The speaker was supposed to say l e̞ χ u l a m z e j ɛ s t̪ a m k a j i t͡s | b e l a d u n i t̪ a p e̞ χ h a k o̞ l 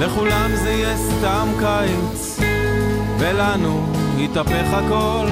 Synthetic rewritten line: l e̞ χ u l a m z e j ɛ s t̪ a m k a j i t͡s | v e l a n u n i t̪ a p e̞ χ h a k o̞ l